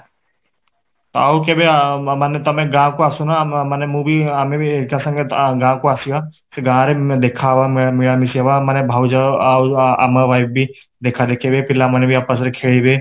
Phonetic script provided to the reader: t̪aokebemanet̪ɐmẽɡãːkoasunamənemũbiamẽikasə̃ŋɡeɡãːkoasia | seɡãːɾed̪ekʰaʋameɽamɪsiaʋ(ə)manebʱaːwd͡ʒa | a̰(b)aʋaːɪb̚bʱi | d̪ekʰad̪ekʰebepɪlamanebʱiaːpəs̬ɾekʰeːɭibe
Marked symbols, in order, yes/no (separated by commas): no, no